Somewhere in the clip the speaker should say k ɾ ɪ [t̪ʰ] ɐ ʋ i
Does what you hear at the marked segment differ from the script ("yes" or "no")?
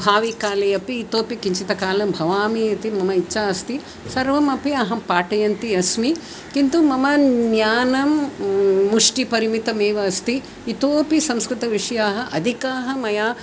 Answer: yes